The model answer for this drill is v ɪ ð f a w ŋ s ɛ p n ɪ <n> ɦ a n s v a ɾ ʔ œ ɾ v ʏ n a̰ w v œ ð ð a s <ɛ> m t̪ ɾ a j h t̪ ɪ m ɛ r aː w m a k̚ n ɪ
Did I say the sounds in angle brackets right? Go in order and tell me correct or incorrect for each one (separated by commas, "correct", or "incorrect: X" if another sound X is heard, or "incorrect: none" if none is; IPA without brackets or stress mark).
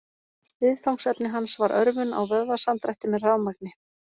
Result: incorrect: none, incorrect: a